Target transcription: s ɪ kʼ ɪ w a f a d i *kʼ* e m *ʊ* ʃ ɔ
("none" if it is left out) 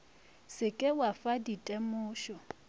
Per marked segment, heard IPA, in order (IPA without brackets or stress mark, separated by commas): tʼ, ʊː